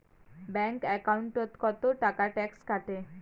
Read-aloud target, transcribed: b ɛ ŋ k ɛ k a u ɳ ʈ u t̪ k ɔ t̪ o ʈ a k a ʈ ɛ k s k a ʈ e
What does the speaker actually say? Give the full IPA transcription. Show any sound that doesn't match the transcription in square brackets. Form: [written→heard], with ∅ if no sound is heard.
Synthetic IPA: b ɛ ŋ k ɛ k a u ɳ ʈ [u→o] t̪ k ɔ t̪ o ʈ a k a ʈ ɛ k s k a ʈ e